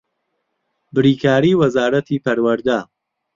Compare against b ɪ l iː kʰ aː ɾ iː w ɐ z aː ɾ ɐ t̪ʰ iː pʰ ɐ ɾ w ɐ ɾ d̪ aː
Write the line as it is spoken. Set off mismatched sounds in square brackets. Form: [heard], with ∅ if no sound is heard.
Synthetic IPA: b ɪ [ɾ] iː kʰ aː ɾ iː w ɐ z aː ɾ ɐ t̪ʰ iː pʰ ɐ ɾ w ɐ ɾ d̪ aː